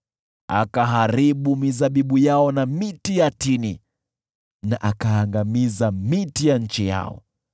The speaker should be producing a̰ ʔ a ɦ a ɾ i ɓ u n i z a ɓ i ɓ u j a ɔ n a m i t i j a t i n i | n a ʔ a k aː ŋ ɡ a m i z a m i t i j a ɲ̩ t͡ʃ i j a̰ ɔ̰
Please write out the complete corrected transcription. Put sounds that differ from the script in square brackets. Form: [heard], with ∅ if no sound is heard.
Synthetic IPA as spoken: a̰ [k] a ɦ a ɾ i ɓ u [m] i z a ɓ i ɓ u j a ɔ n a m i t i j a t i n i | n a ʔ a k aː ŋ ɡ a m i z a m i t i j a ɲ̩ t͡ʃ i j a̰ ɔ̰